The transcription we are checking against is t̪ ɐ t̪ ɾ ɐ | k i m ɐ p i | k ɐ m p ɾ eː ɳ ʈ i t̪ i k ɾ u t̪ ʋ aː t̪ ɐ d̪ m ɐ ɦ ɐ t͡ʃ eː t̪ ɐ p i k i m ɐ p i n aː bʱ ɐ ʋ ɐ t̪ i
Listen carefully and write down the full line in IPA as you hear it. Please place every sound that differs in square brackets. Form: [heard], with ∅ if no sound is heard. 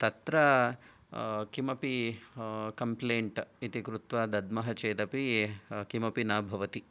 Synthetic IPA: t̪ ɐ t̪ ɾ ɐ | k i m ɐ p i | k ɐ m p [l] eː ɳ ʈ i t̪ i k ɾ u t̪ ʋ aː [d̪] ɐ d̪ m ɐ ɦ ɐ t͡ʃ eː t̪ ɐ p i k i m ɐ p i n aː bʱ ɐ ʋ ɐ t̪ i